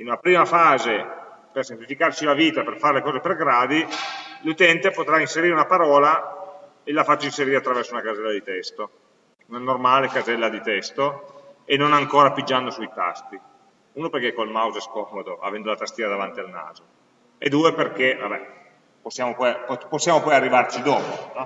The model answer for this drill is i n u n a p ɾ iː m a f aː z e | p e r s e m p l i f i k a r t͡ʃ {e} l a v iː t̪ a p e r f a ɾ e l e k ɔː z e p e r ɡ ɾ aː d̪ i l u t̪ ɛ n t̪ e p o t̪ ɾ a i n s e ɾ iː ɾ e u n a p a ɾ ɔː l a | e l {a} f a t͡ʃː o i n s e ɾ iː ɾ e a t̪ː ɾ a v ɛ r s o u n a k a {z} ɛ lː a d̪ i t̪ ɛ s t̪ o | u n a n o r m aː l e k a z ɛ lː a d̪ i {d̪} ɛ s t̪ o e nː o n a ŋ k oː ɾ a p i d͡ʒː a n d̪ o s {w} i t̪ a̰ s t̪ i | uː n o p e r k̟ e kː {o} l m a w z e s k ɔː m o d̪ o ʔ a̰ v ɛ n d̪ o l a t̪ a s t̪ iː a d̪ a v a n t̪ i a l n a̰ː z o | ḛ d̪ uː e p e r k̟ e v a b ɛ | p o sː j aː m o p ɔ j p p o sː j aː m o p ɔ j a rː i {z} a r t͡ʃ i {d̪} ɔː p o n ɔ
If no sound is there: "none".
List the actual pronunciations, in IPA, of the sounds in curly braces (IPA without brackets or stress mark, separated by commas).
i, a, z, t̪, u, o, v, d̪